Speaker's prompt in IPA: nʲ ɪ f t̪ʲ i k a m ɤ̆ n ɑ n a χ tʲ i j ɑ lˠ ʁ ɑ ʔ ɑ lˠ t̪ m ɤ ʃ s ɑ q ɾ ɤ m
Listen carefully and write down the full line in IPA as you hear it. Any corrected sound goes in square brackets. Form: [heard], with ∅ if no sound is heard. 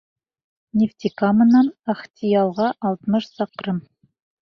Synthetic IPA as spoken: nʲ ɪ f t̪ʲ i k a m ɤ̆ n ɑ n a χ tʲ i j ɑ lˠ ʁ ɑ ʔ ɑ lˠ t̪ m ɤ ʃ s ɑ q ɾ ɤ m